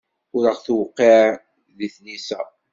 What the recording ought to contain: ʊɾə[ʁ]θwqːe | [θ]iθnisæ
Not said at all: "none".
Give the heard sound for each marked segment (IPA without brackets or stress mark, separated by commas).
ʁ, ð